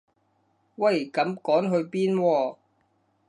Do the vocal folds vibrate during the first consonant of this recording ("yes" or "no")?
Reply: yes